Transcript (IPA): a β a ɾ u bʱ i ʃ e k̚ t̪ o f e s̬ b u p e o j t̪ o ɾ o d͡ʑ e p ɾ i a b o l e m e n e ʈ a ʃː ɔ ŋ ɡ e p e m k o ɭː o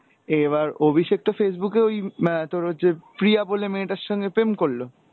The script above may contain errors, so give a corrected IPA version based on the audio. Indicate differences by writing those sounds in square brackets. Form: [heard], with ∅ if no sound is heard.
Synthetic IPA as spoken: [e] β a ɾ [o] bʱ i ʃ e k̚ t̪ o f e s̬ b u [k] e o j t̪ o ɾ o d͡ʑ e p ɾ i a b o l e m e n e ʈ a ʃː ɔ ŋ ɡ e p e m k o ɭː o